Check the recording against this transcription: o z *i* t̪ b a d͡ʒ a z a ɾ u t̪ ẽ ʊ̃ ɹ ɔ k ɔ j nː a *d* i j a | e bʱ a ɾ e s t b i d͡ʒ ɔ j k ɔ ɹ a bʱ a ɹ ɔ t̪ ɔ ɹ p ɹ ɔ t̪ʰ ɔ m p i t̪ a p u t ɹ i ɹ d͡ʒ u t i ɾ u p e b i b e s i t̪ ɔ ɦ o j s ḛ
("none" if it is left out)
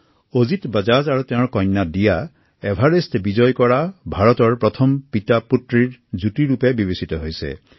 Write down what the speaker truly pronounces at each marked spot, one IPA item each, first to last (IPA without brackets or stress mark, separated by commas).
i, d